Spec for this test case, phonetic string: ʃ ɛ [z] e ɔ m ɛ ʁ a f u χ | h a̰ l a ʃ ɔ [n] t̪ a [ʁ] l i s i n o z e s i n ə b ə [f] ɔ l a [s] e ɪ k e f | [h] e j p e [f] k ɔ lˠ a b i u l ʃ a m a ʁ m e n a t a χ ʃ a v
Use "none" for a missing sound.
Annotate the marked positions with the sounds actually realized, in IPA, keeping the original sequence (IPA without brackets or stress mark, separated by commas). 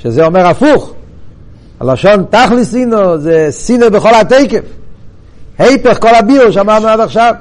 z, n, χ, χ, t, h, χ